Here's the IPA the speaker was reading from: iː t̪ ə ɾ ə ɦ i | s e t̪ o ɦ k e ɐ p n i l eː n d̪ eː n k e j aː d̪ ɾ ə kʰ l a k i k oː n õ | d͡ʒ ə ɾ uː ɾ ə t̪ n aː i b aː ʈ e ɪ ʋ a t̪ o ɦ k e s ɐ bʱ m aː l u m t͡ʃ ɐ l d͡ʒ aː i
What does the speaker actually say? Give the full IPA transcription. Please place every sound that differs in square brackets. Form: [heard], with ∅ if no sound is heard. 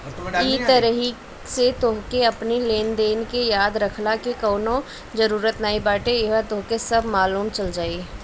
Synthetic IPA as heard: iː t̪ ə ɾ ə ɦ i | s e t̪ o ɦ k e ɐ p n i l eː n d̪ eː n k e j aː d̪ ɾ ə kʰ l a k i k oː n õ | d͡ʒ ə ɾ uː ɾ ə t̪ n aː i b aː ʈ e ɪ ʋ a t̪ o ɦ k e s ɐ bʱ m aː l [uː] m t͡ʃ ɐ l d͡ʒ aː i